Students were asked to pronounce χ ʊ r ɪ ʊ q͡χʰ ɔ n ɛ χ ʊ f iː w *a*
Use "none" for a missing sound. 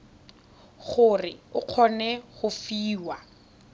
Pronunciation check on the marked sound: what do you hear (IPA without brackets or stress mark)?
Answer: a